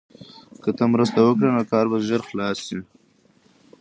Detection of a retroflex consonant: present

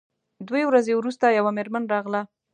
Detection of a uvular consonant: absent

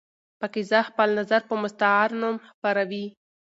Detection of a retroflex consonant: absent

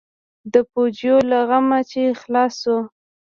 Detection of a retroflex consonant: absent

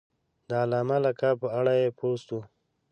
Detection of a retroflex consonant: present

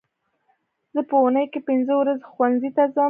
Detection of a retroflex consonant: absent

